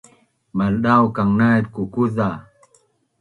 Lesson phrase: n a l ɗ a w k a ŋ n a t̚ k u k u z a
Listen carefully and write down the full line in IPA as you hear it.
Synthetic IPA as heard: m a l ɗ a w k a ŋ n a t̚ k u k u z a